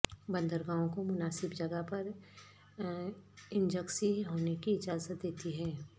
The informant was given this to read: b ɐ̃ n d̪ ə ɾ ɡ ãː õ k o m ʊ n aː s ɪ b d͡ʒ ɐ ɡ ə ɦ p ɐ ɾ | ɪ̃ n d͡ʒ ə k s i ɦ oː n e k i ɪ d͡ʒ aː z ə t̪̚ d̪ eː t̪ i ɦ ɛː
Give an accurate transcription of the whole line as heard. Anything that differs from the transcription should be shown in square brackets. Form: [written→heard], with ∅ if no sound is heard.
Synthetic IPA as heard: b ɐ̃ n d̪ ə ɾ ɡ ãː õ k o m ʊ n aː s ɪ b d͡ʒ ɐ ɡ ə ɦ p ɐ ɾ | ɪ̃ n d͡ʒ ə k s i ɦ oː n e k i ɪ d͡ʒ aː z ə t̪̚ d̪ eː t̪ i ɦ ɛː

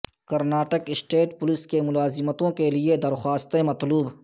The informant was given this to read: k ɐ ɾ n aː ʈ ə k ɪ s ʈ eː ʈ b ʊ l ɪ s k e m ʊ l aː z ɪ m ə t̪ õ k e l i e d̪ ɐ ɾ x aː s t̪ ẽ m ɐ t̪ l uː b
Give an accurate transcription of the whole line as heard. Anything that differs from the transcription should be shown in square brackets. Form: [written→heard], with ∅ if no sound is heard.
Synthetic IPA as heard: k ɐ ɾ n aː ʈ ə k ɪ s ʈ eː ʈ [b→p] ʊ l ɪ s k e m ʊ l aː z ɪ m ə t̪ õ k e l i e d̪ ɐ ɾ x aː s t̪ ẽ m ɐ t̪ l uː b

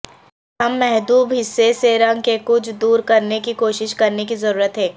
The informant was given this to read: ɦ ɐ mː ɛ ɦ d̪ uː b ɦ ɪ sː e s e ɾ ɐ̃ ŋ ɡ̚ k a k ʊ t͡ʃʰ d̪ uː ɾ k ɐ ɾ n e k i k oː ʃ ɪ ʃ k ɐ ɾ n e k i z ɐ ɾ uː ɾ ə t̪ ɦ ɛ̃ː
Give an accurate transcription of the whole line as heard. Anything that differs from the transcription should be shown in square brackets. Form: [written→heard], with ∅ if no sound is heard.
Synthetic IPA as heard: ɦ ɐ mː ɛ ɦ d̪ uː b ɦ ɪ sː e s e ɾ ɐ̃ ŋ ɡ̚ k [a→e] k ʊ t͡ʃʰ d̪ uː ɾ k ɐ ɾ n e k i k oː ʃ ɪ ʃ k ɐ ɾ n e k i z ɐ ɾ uː ɾ ə t̪ ɦ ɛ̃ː

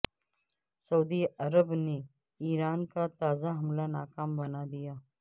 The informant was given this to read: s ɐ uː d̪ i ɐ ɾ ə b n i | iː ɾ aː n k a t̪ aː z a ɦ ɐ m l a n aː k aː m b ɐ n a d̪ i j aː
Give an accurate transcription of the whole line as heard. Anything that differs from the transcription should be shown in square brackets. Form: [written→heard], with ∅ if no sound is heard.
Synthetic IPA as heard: s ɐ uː d̪ i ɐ ɾ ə b n [i→e] | iː ɾ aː n k a t̪ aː z a ɦ ɐ m l a n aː k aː m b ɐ n a d̪ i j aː

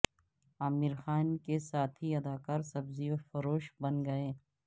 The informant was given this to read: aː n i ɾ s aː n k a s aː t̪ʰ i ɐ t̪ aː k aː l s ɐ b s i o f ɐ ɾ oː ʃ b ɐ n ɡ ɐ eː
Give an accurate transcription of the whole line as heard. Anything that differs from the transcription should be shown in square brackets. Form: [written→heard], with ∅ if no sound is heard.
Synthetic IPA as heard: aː [n→m] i ɾ [s→x] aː n k [a→e] s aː t̪ʰ i ɐ [t̪→d̪] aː k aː [l→ɾ] s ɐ b [s→z] i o f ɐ ɾ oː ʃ b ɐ n ɡ ɐ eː

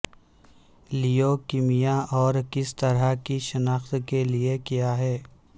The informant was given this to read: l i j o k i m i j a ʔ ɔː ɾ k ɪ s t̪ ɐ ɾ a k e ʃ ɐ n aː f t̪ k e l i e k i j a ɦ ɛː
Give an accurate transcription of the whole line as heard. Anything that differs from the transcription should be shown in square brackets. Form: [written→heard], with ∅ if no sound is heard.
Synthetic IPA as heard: l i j o k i m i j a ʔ ɔː ɾ k ɪ s t̪ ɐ ɾ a k [e→i] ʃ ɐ n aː [f→x] t̪ k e l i e k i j a ɦ ɛː

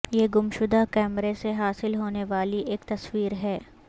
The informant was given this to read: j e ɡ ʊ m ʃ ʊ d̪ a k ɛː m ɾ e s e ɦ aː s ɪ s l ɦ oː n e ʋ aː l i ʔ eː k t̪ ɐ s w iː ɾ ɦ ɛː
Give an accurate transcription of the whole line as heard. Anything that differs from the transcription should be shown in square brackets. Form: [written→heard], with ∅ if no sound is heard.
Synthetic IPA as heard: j e ɡ ʊ m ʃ ʊ d̪ a k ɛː m ɾ e s e ɦ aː s ɪ [s→∅] l ɦ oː n e ʋ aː l i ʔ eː k t̪ ɐ s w iː ɾ ɦ ɛː

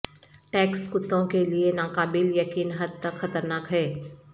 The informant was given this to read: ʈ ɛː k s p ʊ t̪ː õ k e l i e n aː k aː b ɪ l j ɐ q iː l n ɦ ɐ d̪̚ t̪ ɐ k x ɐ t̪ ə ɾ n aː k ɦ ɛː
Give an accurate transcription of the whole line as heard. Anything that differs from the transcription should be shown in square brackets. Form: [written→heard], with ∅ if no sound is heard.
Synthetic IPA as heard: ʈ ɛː k s [p→k] ʊ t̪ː õ k e l i e n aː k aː b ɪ l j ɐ [q→k] iː [l→∅] n ɦ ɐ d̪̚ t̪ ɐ k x ɐ t̪ ə ɾ n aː k ɦ ɛː

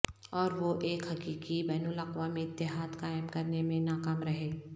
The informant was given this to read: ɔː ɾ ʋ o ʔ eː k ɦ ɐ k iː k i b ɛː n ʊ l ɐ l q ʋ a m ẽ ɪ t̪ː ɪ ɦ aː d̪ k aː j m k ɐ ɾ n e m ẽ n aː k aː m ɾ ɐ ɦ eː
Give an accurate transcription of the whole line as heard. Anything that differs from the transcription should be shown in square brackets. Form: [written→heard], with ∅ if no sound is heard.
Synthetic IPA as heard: ɔː ɾ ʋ o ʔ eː k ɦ ɐ k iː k i b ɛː n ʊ l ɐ [l→∅] q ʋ a m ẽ ɪ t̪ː ɪ ɦ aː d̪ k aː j m k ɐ ɾ n e m ẽ n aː k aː m ɾ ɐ ɦ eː

